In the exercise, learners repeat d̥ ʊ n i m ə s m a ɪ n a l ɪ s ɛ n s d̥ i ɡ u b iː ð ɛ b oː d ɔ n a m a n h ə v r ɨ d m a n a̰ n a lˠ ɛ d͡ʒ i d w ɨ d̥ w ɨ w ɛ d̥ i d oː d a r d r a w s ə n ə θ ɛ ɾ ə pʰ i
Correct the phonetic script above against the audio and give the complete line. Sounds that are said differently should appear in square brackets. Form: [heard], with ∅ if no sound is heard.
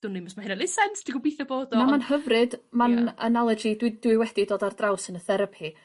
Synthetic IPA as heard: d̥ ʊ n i m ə s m a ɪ n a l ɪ s ɛ n s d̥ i ɡ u b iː [θ] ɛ b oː d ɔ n a m a n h ə v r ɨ d m a n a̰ n a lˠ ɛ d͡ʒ i d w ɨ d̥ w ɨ w ɛ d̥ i d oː d a r d r a w s ə n ə θ ɛ ɾ ə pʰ i